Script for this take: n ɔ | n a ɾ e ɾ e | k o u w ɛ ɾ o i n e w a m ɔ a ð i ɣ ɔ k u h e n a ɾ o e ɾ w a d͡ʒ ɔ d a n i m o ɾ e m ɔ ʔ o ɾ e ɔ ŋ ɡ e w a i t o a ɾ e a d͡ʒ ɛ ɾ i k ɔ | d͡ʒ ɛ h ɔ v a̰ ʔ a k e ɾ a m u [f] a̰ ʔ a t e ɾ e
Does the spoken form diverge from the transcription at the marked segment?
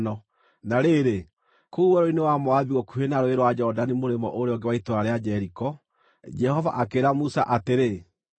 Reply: yes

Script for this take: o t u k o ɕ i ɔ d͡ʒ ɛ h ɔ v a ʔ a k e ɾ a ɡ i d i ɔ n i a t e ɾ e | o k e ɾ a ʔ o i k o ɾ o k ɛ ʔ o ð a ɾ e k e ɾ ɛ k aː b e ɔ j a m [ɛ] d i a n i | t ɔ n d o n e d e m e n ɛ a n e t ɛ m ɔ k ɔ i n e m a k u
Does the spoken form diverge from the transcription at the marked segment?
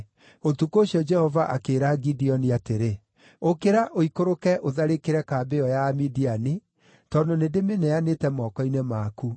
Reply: yes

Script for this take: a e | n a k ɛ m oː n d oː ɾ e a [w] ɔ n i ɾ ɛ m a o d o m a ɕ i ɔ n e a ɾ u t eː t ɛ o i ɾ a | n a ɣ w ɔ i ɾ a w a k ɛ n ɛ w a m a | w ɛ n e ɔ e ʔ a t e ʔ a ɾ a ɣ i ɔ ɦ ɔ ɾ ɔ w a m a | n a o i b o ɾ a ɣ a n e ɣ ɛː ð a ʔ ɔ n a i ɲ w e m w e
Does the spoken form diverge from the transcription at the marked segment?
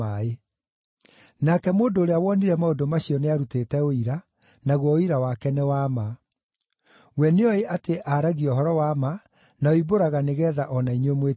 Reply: no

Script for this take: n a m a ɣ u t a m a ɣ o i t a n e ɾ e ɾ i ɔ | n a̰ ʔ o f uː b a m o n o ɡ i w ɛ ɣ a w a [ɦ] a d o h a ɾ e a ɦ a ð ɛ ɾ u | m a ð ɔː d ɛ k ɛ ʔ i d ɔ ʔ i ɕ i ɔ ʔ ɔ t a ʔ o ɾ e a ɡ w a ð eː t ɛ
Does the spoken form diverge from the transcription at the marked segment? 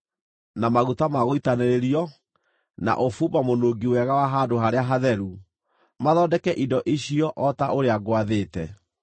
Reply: no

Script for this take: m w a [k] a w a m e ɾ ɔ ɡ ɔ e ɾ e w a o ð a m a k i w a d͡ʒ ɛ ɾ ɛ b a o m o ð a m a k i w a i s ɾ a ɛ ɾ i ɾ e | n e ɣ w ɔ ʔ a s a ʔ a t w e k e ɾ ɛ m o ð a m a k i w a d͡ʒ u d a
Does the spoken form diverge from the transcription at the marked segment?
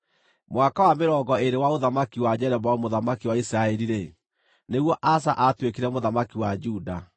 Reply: no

